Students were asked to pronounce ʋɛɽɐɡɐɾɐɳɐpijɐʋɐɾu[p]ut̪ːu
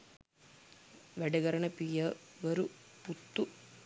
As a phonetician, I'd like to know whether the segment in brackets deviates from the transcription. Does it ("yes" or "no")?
no